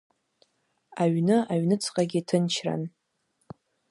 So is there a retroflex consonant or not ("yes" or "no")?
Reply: no